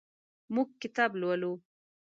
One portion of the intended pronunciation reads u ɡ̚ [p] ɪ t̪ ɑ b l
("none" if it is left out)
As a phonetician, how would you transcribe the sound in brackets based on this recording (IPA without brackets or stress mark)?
k